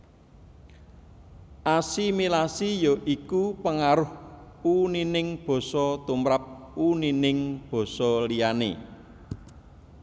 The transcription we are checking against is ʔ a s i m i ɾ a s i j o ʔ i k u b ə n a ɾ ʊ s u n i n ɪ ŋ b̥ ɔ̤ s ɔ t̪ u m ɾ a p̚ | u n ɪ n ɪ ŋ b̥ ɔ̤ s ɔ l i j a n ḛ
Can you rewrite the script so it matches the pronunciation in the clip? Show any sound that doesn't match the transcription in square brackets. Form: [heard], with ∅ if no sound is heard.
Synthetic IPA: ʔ a s i m i [l] a s i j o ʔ i k u [p] ə [ŋ] a ɾ ʊ [h] u n i n ɪ ŋ b̥ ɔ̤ s ɔ t̪ u m ɾ a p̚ | u n [i] n ɪ ŋ b̥ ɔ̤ s ɔ l i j a n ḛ